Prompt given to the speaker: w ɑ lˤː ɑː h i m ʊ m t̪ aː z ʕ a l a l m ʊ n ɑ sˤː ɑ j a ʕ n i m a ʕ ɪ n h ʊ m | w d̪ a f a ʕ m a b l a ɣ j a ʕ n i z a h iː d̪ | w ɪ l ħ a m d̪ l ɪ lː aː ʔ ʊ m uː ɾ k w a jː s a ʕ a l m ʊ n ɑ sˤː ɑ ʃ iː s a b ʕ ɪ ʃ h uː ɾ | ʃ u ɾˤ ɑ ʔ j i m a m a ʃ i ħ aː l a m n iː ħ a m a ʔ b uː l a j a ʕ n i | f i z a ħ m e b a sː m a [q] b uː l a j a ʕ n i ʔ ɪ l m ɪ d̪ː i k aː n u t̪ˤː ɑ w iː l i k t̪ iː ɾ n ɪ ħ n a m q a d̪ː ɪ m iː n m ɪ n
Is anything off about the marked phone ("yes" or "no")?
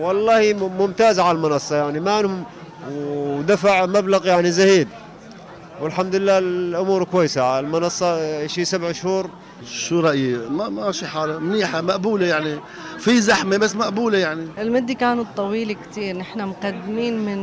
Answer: yes